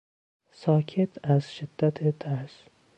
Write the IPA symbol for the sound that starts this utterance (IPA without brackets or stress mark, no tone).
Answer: s